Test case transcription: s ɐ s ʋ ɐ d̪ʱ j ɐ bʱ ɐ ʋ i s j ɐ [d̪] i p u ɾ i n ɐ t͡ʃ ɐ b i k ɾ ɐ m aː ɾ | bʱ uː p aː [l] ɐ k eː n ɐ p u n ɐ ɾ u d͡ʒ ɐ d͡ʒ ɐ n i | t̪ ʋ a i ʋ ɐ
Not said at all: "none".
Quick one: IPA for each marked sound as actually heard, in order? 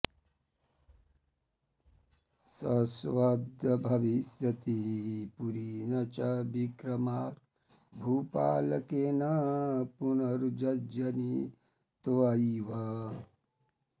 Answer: t̪, l

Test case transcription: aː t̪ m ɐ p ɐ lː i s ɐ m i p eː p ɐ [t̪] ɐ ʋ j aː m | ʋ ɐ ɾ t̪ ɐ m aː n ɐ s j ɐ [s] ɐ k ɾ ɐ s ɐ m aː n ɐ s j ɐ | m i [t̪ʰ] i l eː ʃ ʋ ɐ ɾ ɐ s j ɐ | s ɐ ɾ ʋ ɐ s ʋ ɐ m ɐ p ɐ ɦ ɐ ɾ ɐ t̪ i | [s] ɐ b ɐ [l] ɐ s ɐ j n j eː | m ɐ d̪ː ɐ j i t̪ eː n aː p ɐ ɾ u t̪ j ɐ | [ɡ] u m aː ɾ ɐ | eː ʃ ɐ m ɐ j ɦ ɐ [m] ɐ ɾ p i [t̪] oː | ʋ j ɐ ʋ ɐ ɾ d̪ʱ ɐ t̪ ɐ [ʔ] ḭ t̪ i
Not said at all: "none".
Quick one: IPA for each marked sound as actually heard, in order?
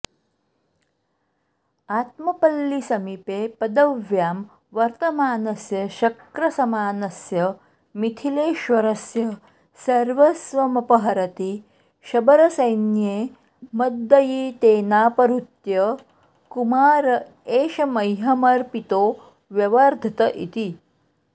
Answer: d̪, ʃ, t̪ʰ, ʃ, ɾ, k, m, t̪, ʔ

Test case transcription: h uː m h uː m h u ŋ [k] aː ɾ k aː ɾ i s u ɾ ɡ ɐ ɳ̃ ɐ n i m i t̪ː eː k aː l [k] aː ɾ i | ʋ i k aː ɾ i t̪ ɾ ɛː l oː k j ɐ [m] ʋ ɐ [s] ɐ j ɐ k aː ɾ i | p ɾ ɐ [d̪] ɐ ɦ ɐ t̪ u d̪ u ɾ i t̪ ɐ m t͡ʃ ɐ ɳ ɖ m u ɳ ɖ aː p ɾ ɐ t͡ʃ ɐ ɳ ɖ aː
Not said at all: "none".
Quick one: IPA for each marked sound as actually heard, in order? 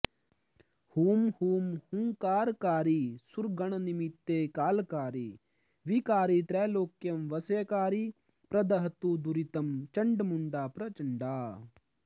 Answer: k, k, m, s, d̪

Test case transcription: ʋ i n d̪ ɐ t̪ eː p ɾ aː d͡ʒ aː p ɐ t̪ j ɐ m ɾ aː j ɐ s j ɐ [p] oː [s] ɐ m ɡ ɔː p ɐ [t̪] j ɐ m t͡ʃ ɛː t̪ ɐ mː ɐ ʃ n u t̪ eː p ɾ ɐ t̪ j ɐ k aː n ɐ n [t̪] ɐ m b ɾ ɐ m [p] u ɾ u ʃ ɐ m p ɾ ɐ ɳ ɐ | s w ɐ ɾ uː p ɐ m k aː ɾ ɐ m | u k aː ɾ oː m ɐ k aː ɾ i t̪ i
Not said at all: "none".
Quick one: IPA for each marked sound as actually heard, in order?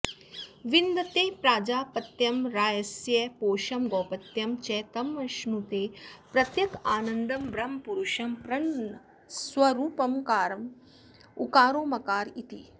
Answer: p, ʃ, t̪, d̪, p

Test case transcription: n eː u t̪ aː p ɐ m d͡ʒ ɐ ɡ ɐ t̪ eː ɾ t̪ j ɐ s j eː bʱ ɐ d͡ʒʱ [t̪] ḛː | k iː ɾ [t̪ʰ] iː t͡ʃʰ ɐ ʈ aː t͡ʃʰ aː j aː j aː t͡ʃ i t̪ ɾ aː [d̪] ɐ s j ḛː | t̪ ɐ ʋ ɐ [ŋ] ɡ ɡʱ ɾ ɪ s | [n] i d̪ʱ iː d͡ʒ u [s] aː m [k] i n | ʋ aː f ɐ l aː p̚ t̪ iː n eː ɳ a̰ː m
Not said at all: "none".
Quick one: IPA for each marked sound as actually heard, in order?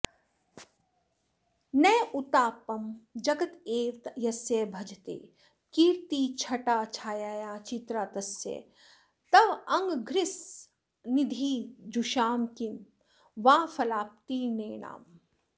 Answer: t̪, t̪, t̪, ŋ, n, ʃ, k

